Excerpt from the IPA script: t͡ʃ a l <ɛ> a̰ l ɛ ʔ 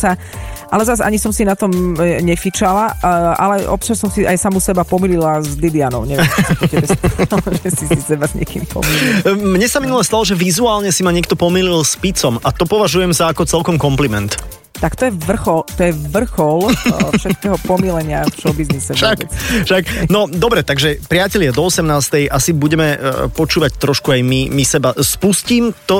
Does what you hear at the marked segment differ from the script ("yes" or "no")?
yes